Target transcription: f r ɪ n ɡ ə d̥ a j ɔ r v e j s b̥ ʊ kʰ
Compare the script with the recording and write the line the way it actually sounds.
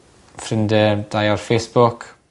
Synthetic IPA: f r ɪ n d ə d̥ a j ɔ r f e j s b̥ ʊ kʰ

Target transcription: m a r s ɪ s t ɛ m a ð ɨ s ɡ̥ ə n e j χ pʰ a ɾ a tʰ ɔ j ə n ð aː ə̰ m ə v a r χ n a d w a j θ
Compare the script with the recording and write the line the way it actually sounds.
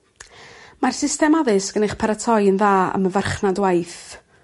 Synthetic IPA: m a r s ɪ s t ɛ m a ð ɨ s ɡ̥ ə n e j χ pʰ a ɾ a tʰ ɔ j ə n ð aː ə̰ m ə v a r χ n a d w a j θ

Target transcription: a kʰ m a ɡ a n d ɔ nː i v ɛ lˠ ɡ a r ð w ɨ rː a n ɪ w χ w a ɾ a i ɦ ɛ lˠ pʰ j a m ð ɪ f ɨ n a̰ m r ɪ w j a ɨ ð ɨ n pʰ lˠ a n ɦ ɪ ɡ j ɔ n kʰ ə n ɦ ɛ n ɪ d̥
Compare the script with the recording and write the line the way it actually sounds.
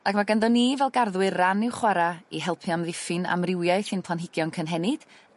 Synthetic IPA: a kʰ m a ɡ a n d ɔ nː i v ɛ lˠ ɡ a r ð w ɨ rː a n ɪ w χ w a ɾ a i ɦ ɛ lˠ pʰ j a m ð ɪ f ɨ n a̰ m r ɪ w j a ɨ θ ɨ n pʰ lˠ a n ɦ ɪ ɡ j ɔ n kʰ ə n ɦ ɛ n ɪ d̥

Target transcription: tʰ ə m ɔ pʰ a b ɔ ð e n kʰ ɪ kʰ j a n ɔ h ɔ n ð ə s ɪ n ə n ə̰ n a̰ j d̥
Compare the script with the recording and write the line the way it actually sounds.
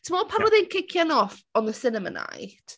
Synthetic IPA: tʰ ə m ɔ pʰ a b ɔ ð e n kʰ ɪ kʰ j a n ɔ f ɔ n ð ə s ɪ n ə m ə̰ n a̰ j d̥

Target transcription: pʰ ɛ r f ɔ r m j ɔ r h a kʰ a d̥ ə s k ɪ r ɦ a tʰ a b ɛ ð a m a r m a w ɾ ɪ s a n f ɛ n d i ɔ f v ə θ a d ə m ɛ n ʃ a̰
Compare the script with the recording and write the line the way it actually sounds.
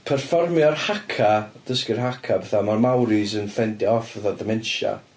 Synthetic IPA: pʰ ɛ r f ɔ r m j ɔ r h a kʰ a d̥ ə s k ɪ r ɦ a kʰ a b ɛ θ a m a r m a w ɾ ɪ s ə n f ɛ n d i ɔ f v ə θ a d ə m ɛ n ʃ a̰

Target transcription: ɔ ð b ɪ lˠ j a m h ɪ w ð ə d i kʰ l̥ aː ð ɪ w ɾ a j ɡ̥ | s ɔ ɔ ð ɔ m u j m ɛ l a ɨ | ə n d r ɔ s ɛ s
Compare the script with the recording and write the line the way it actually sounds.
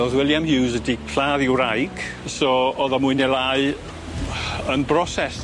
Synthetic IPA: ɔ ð w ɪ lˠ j a m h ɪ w z ə d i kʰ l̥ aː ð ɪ w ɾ a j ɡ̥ | s ɔ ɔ ð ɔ m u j n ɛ l a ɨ | ə n b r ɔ s ɛ s

